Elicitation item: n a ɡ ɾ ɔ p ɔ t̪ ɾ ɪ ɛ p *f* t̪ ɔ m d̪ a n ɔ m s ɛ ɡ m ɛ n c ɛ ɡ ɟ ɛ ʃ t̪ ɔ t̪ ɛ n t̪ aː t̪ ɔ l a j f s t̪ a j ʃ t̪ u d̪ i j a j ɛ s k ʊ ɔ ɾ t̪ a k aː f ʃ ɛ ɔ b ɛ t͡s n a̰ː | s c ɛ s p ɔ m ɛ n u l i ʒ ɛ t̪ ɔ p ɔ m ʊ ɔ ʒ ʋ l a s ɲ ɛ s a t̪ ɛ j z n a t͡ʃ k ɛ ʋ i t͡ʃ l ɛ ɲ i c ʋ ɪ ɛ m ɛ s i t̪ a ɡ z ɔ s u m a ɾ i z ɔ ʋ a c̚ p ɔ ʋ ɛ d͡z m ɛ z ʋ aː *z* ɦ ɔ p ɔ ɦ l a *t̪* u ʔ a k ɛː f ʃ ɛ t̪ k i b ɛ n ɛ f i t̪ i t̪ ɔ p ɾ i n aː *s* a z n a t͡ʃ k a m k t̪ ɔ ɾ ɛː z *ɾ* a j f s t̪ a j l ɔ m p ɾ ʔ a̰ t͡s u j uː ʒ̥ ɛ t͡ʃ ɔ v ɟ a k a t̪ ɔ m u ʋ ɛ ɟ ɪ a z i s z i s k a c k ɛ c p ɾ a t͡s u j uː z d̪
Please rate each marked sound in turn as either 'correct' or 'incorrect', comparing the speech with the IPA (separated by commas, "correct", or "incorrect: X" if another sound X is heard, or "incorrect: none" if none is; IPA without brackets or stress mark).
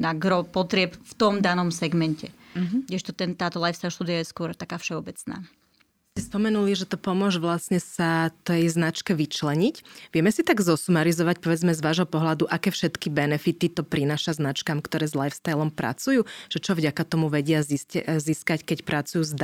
correct, incorrect: ʒ, incorrect: d̪, incorrect: ʃ, incorrect: l